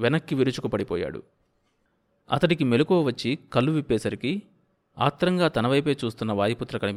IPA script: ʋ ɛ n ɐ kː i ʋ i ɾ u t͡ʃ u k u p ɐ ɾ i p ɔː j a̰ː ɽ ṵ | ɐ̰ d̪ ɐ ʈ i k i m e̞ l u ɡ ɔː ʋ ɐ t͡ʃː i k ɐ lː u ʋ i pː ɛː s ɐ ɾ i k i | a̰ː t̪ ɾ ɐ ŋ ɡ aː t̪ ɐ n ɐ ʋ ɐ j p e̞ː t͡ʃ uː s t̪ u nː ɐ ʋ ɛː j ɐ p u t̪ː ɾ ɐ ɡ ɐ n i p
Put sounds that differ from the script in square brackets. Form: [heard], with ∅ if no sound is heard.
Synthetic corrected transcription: ʋ ɛ n ɐ kː i ʋ i ɾ u t͡ʃ u k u p ɐ [ɽ] i p ɔː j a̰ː ɽ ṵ | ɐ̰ [t̪] ɐ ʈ i k i m e̞ l u [k] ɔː ʋ ɐ t͡ʃː i k ɐ lː u ʋ i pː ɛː s ɐ ɾ i k i | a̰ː t̪ ɾ ɐ ŋ ɡ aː t̪ ɐ n ɐ ʋ ɐ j p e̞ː t͡ʃ uː s t̪ u nː ɐ ʋ [aː] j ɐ p u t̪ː ɾ ɐ [k] ɐ n i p